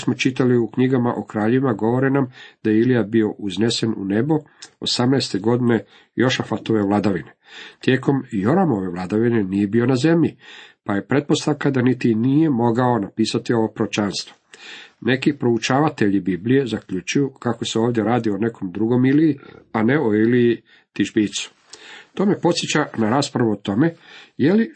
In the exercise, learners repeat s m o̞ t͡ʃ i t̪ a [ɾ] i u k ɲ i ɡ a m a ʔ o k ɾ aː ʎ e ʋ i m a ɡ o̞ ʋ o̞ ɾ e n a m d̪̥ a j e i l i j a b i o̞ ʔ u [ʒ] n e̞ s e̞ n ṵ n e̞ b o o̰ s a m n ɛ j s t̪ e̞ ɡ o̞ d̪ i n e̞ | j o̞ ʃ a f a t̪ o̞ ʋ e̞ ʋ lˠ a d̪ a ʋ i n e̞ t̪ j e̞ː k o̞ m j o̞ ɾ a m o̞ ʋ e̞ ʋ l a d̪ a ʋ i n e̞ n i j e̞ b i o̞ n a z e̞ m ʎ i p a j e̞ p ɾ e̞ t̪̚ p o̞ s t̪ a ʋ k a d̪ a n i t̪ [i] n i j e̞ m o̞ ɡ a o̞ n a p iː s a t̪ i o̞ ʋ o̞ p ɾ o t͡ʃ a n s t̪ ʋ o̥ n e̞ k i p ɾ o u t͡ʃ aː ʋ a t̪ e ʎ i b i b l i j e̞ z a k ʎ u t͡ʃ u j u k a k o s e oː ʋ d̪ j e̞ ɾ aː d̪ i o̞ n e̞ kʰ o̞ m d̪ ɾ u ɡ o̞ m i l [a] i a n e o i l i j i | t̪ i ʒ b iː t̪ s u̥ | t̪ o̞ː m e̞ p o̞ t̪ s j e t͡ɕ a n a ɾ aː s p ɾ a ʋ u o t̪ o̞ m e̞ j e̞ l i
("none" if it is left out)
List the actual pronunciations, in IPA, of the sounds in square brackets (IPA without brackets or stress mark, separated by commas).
l, z, i, i